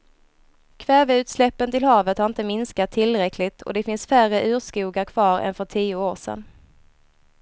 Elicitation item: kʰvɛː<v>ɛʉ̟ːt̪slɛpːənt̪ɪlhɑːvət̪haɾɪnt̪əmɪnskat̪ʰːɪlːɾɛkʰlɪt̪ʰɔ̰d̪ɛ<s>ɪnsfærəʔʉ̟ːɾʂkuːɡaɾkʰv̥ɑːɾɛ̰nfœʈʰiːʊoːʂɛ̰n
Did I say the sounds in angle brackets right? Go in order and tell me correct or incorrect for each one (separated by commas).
correct, incorrect